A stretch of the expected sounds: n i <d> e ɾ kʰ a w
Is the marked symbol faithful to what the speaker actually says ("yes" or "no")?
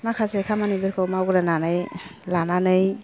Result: no